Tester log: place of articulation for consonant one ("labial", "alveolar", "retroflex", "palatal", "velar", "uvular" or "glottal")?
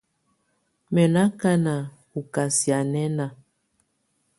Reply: labial